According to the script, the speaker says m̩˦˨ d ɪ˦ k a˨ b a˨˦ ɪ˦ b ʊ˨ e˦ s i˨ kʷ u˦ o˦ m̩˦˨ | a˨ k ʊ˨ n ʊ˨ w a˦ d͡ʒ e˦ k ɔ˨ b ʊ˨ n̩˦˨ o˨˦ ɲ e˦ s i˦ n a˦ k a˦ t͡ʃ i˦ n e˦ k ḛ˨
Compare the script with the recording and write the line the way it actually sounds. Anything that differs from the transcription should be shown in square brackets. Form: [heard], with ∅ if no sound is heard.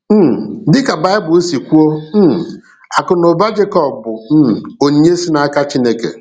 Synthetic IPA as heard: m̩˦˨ d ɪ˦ k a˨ b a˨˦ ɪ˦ b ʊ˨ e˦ s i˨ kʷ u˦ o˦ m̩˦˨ | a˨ k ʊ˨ n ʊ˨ [b] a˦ d͡ʒ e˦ k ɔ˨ b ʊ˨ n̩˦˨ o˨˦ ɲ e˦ s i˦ n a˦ k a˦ t͡ʃ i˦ n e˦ k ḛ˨